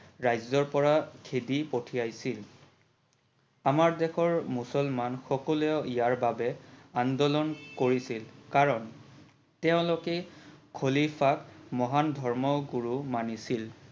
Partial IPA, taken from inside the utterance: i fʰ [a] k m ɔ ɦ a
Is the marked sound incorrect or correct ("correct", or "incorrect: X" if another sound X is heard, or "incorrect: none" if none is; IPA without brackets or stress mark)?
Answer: correct